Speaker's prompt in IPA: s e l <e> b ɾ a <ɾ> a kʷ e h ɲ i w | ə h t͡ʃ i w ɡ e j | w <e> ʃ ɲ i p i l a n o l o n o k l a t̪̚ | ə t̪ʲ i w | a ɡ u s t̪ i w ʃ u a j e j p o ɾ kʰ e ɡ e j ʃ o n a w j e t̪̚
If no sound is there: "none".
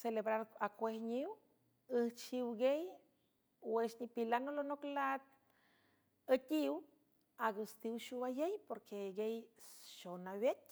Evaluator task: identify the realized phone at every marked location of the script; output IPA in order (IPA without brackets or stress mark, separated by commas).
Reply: e, ɾ, e